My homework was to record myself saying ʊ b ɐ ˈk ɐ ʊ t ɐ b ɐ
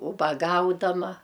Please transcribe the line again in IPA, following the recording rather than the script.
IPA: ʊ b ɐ ˈɡ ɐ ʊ d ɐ m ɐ